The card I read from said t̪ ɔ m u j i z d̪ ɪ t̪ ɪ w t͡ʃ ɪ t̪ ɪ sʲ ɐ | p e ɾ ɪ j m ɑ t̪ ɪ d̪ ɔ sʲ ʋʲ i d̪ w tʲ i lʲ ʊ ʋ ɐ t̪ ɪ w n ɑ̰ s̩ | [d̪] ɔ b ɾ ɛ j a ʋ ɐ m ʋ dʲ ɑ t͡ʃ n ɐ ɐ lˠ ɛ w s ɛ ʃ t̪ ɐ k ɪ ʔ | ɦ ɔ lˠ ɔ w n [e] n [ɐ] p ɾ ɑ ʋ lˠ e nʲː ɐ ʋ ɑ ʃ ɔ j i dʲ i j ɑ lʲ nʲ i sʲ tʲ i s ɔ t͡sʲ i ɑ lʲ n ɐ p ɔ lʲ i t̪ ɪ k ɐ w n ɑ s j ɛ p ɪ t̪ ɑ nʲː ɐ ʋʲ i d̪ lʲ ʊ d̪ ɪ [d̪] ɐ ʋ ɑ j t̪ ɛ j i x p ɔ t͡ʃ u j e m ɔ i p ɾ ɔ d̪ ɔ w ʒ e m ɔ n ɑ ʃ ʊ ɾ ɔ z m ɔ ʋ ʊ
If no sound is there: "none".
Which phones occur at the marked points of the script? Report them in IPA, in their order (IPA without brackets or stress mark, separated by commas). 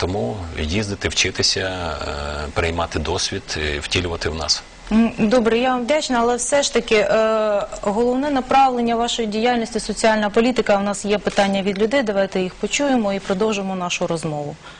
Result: d̪, ɛ, ɐ, d̪